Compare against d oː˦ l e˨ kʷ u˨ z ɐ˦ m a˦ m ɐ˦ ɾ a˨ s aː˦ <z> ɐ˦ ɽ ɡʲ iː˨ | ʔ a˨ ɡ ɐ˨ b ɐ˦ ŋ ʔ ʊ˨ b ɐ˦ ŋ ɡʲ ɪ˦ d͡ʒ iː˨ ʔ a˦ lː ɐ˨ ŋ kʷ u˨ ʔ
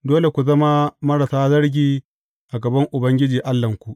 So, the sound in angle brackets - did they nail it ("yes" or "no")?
yes